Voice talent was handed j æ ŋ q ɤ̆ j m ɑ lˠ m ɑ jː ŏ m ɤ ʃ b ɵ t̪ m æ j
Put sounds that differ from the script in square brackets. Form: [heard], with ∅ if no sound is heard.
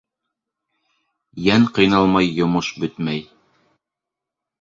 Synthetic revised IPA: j æ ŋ q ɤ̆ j [n] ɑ lˠ m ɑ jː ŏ m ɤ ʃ b ɵ t̪ m æ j

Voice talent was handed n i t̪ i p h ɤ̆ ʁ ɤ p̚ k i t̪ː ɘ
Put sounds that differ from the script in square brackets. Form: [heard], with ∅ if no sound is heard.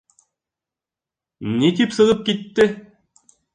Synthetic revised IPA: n i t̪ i p [s] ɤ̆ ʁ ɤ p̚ k i t̪ː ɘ

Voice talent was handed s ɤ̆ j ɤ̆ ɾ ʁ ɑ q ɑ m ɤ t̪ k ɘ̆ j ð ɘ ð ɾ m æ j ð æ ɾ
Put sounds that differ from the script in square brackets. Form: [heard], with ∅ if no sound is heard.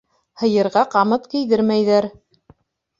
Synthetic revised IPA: [h] ɤ̆ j ɤ̆ ɾ ʁ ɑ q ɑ m ɤ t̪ k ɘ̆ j ð ɘ [∅] ɾ m æ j ð æ ɾ

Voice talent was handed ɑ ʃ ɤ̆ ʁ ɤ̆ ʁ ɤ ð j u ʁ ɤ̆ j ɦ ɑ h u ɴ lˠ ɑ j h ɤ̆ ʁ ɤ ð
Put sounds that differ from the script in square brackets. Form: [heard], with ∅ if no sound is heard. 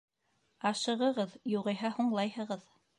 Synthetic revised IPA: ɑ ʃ ɤ̆ ʁ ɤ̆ ʁ ɤ ð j u ʁ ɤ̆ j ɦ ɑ h u ɴ lˠ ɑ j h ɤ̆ ʁ ɤ ð

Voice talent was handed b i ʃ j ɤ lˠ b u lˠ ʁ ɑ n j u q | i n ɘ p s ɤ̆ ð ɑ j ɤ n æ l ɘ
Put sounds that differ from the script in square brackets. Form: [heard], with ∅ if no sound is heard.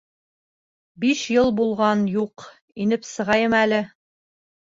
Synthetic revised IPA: b i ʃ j ɤ lˠ b u lˠ ʁ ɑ n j u q | i n ɘ p s ɤ̆ [ʁ] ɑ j ɤ [m] æ l ɘ

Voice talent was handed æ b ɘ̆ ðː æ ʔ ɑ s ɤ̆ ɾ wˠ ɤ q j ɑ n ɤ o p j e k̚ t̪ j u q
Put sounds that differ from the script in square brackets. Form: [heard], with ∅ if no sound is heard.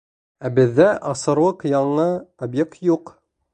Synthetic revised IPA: æ b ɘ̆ ðː æ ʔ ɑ s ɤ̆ ɾ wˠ ɤ q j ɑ [ɴ] ɤ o [b] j e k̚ t̪ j u q

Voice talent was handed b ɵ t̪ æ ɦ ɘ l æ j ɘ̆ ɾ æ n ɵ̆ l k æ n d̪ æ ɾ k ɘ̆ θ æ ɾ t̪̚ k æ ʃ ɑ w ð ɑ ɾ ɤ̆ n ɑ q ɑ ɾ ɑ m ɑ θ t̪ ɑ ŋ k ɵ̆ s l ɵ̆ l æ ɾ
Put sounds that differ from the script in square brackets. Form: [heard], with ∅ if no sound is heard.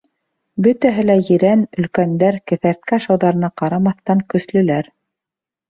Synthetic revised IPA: b ɵ t̪ æ ɦ ɘ l æ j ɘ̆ ɾ æ n ɵ̆ l k æ n d̪ æ ɾ k ɘ̆ θ æ ɾ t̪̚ k æ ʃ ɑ w ð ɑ ɾ ɤ̆ n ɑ q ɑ ɾ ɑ m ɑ θ t̪ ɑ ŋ k ɵ̆ s l ɵ̆ l æ ɾ

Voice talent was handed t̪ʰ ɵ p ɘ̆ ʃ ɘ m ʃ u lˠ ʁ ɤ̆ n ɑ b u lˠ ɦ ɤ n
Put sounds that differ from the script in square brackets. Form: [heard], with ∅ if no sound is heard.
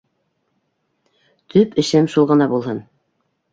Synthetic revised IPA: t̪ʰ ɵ p ɘ̆ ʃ ɘ m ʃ u lˠ ʁ ɤ̆ n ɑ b u lˠ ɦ ɤ n

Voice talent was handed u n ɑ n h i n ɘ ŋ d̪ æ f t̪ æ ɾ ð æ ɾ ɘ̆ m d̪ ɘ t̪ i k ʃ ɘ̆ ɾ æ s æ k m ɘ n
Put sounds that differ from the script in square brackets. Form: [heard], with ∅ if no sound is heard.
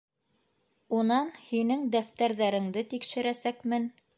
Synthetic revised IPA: u n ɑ n h i n ɘ ŋ d̪ æ f t̪ æ ɾ ð æ ɾ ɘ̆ [ŋ] d̪ ɘ t̪ i k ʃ ɘ̆ ɾ æ s æ k m ɘ n

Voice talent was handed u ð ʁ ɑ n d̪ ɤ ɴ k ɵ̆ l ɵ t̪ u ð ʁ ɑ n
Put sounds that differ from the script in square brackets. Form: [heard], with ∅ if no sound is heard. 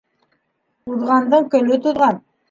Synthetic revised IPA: u ð ʁ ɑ n d̪ ɤ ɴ k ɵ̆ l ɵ t̪ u ð ʁ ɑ n

